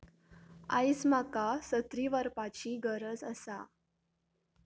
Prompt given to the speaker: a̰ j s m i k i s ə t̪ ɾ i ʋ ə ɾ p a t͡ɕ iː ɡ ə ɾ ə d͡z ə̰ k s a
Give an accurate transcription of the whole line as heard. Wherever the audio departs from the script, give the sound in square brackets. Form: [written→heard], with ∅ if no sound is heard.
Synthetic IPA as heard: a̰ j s m [i→a] k [i→a] s ə t̪ ɾ i ʋ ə ɾ p a t͡ɕ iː ɡ ə ɾ ə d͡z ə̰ [k→∅] s a